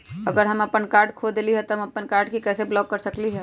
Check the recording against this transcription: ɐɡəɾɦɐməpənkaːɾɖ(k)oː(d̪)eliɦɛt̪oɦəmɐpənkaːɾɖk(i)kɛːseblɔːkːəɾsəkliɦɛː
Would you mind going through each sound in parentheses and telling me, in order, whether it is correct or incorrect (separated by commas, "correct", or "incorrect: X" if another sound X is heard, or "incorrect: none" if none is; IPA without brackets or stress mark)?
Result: incorrect: kʰ, correct, correct